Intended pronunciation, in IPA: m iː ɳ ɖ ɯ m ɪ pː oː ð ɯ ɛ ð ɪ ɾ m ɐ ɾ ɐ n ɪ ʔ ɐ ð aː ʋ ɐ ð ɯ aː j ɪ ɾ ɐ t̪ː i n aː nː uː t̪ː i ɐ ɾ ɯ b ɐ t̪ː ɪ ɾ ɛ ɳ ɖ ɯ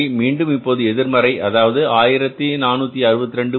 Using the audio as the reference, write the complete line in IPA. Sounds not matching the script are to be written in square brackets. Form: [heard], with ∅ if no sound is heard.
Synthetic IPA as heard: m iː ɳ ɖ ɯ m ɪ pː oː ð ɯ ɛ ð ɪ ɾ m ɐ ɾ ɐ [∅] ɪ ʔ ɐ ð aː ʋ ɐ ð ɯ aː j ɪ ɾ ɐ t̪ː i n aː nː uː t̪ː i ɐ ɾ ɯ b ɐ t̪ː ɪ ɾ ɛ ɳ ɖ ɯ